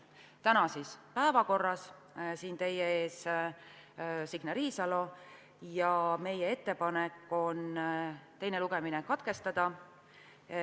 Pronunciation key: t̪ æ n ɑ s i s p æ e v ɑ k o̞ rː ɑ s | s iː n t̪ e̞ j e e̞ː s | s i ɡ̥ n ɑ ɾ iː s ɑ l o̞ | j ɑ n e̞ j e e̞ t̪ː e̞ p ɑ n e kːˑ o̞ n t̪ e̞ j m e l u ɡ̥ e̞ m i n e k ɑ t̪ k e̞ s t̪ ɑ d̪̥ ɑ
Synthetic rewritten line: t̪ æ n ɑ s i s p æ e v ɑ k o̞ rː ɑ s | s iː n t̪ e̞ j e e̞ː s | s i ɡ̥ n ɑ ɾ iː s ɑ l o̞ | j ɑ m e̞ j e e̞ t̪ː e̞ p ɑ n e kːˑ o̞ n t̪ e̞ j n e l u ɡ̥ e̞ m i n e k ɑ t̪ k e̞ s t̪ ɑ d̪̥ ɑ

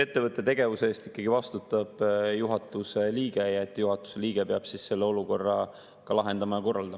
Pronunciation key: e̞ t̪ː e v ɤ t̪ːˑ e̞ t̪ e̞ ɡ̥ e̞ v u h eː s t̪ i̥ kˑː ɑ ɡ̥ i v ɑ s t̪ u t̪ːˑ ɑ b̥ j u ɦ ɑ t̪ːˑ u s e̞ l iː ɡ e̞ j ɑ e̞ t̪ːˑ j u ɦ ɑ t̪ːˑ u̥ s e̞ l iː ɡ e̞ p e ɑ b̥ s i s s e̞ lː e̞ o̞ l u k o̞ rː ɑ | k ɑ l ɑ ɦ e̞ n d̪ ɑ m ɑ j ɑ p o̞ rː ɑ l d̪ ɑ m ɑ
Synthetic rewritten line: e̞ t̪ː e v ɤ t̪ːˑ e̞ t̪ e̞ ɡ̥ e̞ v u s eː s t̪ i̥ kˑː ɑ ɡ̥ i v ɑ s t̪ u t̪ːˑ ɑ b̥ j u ɦ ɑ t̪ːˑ u s e̞ l iː ɡ e̞ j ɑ e̞ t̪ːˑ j u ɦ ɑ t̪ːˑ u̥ s e̞ l iː ɡ e̞ p e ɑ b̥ s i s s e̞ lː e̞ o̞ l u k o̞ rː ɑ | k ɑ l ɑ ɦ e̞ n d̪ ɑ m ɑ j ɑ k o̞ rː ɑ l d̪ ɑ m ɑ

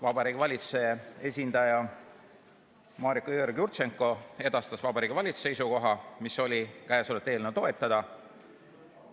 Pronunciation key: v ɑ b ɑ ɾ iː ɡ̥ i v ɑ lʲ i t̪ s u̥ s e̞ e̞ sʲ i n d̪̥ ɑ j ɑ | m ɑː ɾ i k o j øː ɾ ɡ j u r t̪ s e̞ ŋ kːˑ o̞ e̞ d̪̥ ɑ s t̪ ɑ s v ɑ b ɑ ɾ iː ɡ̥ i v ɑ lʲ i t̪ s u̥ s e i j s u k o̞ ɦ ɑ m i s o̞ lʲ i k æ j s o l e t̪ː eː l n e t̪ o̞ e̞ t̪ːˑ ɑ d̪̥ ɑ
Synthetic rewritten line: v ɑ b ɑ ɾ iː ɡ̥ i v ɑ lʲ i t̪ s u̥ s e̞ e̞ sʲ i n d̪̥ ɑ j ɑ | m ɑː ɾ i k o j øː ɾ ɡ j u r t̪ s e̞ ŋ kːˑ o̞ e̞ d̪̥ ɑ s t̪ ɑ s v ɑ b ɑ ɾ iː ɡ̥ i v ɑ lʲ i t̪ s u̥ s e i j s u k o̞ ɦ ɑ m i s o̞ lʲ i k æ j s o l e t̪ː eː l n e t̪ o̞ e̞ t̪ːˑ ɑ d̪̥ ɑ

